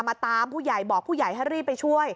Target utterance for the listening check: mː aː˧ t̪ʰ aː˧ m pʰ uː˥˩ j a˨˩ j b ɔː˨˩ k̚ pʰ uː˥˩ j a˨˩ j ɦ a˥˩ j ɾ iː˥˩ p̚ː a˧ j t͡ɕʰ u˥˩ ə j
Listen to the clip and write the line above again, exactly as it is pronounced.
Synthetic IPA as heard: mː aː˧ t̪ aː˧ m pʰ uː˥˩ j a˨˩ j b ɔː˨˩ k̚ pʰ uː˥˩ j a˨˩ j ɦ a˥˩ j ɾ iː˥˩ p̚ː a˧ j t͡ɕʰ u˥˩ ə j